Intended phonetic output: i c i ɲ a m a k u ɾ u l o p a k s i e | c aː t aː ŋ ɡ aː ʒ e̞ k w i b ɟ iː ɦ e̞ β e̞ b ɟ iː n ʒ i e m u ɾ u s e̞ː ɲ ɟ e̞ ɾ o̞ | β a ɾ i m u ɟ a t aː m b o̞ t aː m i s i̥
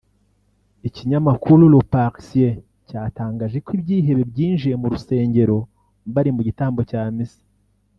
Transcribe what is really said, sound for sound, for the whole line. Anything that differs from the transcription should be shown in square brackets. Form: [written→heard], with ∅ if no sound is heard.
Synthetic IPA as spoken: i c i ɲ a m a k u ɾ u l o p a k s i e | c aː t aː ŋ ɡ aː ʒ e̞ k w i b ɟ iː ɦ e̞ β e̞ b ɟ iː n ʒ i e m u ɾ u s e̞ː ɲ ɟ e̞ ɾ o̞ | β a ɾ i m u ɟ [a→i] t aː m b o̞ [t→c] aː m i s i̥